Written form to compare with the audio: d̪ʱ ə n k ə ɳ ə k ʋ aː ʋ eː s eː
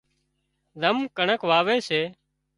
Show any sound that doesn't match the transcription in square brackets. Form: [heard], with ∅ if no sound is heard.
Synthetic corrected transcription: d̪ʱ ə [m] k ə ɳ ə k ʋ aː ʋ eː s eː